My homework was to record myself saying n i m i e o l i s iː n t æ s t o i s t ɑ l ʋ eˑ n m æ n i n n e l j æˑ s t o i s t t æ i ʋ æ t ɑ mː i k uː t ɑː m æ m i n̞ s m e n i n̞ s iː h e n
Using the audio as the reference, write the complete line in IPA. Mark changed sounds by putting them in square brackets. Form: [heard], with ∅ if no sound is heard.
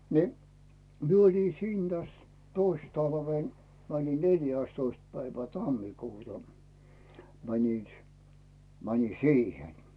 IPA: n i m i e o l i s iː n t æ s t o i s t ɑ l ʋ eˑ n m æ n i n n e l j æˑ s t o i s t [p] æ i ʋ æ t ɑ mː i k uː t [ɑ] m æ [n] i n̞ s m [æ] n i n̞ s iː h e n